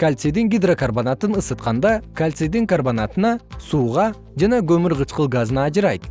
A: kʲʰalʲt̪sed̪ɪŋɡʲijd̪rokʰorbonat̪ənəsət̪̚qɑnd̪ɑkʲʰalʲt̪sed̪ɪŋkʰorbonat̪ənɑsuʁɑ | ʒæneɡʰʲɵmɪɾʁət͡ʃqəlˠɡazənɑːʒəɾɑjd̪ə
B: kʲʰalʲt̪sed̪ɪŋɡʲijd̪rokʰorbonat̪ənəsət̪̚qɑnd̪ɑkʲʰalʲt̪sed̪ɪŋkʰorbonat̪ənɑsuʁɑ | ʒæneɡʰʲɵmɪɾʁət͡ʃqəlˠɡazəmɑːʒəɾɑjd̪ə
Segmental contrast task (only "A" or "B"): A